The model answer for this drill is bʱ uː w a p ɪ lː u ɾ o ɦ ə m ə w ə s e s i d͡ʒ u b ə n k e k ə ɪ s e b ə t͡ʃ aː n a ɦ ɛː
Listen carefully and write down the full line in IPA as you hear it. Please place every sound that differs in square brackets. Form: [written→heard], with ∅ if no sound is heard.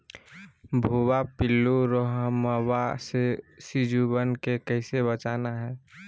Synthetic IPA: bʱ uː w a p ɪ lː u ɾ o ɦ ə m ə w [ə→a] s e s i d͡ʒ u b ə n k e k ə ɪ s e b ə t͡ʃ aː n a ɦ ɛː